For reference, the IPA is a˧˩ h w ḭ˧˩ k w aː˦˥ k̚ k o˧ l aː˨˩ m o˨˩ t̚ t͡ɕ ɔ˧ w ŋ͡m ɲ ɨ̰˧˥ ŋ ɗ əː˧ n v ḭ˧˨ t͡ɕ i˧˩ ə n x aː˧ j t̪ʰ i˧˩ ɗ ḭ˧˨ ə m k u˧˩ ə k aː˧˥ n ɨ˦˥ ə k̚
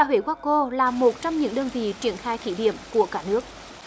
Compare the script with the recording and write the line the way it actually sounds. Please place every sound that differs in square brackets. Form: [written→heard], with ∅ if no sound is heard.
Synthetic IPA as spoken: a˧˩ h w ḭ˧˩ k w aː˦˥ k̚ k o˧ l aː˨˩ m o˨˩ t̚ t͡ɕ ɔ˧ w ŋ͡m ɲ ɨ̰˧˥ ŋ ɗ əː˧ n v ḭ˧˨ t͡ɕ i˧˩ ə n x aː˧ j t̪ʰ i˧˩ ɗ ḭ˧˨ ə m k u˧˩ ə k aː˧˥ n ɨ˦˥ ə k̚